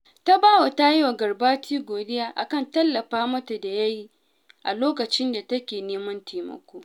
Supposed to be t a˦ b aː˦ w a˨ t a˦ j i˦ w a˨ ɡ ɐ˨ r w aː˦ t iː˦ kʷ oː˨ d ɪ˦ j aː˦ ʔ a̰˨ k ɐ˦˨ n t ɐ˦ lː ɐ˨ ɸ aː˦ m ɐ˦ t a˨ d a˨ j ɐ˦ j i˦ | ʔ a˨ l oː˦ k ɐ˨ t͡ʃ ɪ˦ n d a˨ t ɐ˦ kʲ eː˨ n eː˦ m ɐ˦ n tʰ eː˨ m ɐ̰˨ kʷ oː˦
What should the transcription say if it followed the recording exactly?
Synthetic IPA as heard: t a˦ b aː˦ w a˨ t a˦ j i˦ w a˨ ɡ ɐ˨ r b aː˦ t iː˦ ɡʷ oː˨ d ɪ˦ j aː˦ ʔ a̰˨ k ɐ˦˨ n t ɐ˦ lː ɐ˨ ɸ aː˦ m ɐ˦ t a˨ d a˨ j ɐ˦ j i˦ | ʔ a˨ l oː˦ k ɐ˨ t͡ʃ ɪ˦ n d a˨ t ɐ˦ kʲ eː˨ n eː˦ m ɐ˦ n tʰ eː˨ m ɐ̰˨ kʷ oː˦